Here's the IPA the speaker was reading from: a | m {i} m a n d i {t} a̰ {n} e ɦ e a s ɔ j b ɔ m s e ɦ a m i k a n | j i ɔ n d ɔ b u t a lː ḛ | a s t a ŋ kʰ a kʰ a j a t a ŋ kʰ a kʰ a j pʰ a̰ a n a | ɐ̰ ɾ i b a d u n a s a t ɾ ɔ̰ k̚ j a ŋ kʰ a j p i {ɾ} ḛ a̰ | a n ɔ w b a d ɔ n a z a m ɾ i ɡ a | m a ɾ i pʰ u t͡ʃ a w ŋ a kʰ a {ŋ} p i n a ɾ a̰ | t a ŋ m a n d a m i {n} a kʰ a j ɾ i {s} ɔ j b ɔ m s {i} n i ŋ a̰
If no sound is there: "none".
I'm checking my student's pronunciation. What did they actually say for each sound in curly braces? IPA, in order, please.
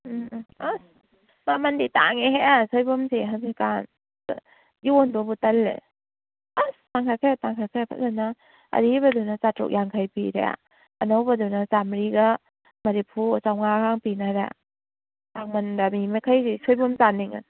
a, t, ŋ, ɾ, ŋ, m, s, a

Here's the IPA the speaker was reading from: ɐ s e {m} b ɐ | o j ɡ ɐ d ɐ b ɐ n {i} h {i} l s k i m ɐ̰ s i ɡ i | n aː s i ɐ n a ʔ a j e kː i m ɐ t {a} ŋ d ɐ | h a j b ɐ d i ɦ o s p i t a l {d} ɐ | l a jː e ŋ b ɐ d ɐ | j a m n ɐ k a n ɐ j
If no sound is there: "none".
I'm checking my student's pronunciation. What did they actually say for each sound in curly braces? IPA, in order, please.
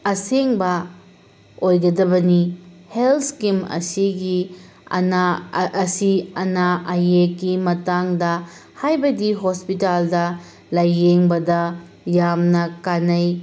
ŋ, i, e, a, d

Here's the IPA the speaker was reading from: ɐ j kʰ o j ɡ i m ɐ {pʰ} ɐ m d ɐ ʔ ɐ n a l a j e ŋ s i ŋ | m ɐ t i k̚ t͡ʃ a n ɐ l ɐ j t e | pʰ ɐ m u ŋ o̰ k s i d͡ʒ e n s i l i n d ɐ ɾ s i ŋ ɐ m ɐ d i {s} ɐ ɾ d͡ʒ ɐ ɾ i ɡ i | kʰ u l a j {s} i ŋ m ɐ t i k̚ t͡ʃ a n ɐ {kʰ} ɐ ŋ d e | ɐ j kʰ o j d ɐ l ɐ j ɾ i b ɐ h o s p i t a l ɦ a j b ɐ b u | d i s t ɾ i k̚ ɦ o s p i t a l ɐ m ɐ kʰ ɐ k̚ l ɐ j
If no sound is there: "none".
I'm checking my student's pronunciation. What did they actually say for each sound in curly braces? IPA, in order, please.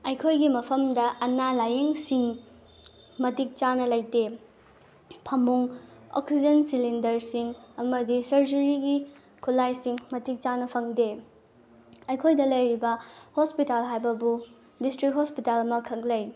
pʰ, s, s, pʰ

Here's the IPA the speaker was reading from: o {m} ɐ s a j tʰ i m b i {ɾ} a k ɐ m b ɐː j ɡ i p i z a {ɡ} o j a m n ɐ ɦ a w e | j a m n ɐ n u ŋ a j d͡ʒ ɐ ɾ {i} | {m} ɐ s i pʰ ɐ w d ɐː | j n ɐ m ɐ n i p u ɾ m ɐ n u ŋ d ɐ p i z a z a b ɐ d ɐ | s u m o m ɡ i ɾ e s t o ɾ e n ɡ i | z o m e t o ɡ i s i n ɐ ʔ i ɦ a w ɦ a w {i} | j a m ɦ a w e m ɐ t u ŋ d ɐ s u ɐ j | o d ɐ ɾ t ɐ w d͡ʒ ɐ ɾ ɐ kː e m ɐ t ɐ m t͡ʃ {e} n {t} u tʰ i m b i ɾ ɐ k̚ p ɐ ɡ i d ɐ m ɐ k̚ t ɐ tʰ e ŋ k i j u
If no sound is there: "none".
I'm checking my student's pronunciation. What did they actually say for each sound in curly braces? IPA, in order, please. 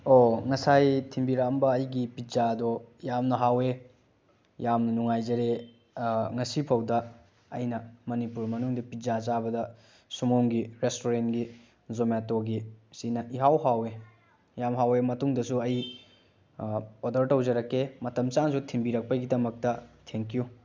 ŋ, ɾ, d, e, ŋ, e, a, s

